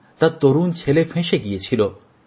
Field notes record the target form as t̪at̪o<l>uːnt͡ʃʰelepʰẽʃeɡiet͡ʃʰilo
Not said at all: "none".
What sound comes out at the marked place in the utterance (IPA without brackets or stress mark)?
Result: ɾ